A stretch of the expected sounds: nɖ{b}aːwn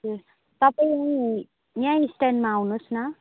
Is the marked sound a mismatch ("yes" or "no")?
yes